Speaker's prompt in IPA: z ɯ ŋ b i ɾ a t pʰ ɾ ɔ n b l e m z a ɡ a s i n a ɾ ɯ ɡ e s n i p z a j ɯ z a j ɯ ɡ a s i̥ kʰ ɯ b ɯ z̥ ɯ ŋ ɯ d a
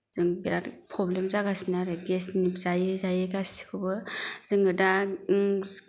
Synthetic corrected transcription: z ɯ ŋ b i ɾ a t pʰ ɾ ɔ b l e m z a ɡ a s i n a ɾ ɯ ɡ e s n i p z a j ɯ z a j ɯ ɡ a s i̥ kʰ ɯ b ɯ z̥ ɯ ŋ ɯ d a